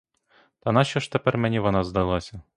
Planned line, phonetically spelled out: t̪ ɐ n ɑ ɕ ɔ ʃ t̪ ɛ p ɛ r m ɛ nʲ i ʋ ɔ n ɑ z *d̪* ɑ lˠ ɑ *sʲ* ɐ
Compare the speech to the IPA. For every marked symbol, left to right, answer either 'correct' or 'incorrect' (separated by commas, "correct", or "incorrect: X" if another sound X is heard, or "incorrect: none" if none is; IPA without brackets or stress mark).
correct, correct